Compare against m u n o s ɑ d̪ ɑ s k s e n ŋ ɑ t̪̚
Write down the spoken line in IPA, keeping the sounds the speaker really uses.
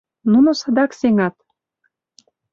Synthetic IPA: n u n o s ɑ d̪ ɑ k s e ŋ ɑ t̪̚